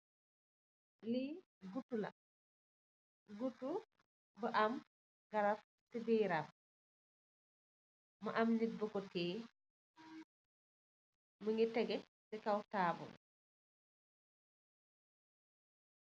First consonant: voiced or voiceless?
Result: voiced